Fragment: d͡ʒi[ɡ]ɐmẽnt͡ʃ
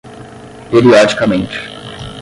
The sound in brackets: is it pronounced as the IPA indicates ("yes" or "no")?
no